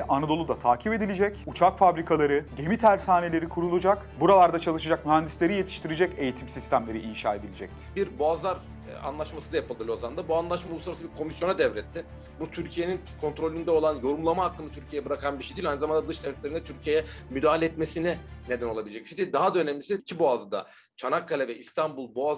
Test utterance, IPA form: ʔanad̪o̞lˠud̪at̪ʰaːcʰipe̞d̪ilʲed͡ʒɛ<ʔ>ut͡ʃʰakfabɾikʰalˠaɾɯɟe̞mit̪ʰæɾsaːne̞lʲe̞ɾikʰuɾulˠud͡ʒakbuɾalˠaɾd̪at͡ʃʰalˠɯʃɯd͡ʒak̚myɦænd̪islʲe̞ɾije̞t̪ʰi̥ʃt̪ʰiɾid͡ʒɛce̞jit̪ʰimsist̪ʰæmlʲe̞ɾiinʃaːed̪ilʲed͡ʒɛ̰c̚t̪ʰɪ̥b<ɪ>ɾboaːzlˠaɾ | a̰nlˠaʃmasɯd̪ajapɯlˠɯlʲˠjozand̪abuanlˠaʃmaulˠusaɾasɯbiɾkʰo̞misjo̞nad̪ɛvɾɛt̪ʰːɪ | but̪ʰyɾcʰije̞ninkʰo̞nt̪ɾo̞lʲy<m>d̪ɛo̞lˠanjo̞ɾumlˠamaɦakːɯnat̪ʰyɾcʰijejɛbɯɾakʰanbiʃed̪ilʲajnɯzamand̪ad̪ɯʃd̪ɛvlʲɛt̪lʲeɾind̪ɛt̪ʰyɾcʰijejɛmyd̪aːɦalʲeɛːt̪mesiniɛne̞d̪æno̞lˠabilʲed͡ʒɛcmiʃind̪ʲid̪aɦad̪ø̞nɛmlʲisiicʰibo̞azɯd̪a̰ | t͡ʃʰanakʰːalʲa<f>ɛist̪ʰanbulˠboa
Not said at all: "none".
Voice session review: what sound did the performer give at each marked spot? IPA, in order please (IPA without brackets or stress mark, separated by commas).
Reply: c, i, n, v